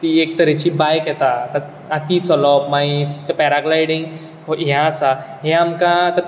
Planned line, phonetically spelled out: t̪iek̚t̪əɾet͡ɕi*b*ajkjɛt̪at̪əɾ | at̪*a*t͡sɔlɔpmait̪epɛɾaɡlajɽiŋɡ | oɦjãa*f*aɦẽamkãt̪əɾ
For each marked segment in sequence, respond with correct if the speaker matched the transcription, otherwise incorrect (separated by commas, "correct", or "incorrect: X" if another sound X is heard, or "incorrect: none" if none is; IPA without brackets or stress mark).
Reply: correct, incorrect: i, incorrect: s